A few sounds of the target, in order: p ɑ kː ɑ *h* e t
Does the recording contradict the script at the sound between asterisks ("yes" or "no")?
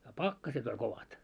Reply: yes